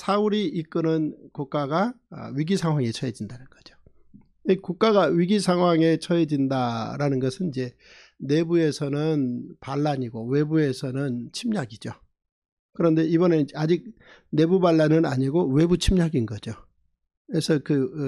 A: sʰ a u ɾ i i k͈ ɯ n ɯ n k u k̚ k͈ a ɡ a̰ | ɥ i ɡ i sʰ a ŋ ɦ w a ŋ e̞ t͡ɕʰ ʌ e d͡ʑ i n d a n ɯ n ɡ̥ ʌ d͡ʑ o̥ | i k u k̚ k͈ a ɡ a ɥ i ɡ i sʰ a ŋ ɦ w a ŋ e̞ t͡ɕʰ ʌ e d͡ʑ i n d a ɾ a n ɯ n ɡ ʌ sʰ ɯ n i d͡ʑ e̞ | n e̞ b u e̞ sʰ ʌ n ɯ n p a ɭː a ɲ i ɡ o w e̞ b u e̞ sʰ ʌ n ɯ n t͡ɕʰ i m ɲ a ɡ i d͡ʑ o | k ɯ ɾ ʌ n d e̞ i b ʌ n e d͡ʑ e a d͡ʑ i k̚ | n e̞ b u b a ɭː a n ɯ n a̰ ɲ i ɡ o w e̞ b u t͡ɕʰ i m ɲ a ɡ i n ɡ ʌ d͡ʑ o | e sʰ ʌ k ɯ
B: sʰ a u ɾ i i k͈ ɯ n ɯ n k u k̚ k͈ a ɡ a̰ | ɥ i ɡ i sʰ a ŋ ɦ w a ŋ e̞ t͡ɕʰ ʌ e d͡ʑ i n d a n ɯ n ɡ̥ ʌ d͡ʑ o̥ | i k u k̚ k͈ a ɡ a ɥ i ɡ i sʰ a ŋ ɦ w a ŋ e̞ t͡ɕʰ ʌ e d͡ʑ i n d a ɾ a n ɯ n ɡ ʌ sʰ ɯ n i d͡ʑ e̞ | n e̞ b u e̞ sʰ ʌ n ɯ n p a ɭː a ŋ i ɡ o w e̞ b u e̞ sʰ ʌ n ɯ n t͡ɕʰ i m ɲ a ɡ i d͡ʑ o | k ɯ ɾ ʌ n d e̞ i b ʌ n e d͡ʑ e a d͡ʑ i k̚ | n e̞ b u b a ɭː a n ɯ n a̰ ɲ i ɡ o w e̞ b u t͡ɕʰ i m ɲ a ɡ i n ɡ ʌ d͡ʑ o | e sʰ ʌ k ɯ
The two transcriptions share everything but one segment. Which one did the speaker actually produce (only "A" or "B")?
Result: A